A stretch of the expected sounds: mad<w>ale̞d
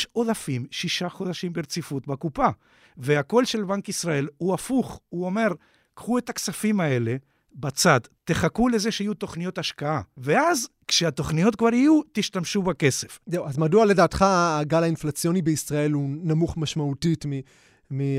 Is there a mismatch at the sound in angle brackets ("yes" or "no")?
yes